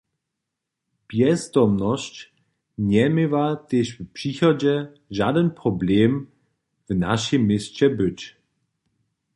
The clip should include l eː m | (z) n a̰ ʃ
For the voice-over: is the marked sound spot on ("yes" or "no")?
no